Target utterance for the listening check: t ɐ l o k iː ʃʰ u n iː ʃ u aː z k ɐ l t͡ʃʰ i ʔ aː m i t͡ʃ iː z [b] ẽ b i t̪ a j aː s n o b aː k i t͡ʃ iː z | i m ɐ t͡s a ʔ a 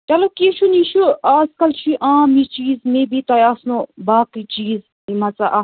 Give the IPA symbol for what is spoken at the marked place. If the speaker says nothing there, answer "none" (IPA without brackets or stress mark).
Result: m